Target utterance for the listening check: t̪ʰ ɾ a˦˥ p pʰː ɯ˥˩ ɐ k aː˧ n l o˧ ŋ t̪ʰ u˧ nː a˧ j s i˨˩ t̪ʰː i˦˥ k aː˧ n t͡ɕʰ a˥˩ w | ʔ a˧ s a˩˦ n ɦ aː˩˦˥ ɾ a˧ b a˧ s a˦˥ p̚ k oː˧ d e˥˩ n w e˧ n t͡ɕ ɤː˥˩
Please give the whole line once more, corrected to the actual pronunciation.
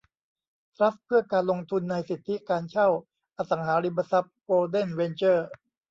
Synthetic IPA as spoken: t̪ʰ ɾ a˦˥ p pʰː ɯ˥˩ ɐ k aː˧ n l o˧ ŋ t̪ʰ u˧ nː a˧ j s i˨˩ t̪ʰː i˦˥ k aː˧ n t͡ɕʰ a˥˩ w | ʔ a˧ s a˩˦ ŋ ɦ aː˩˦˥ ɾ i˧ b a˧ s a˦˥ p̚ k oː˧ d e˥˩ n w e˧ n t͡ɕ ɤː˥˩